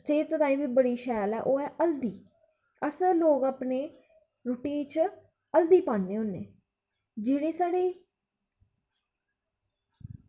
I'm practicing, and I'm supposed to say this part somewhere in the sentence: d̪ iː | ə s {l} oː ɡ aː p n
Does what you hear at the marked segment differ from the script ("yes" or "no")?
no